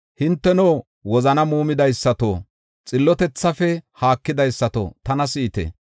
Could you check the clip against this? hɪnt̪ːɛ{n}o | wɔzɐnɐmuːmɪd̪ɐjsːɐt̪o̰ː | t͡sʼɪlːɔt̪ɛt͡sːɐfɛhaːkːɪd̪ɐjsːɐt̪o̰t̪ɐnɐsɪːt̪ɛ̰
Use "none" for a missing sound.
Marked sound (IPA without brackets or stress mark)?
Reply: n